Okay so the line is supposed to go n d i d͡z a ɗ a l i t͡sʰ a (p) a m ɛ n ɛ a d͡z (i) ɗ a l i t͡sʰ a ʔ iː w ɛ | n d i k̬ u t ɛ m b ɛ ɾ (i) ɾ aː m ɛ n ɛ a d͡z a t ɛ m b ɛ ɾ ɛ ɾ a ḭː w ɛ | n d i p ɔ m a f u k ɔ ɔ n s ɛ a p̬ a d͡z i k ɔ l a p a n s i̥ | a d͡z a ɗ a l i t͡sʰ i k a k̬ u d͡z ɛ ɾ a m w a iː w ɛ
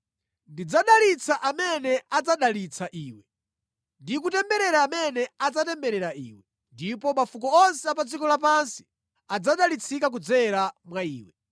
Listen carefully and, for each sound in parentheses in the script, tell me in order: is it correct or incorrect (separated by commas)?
incorrect, incorrect, incorrect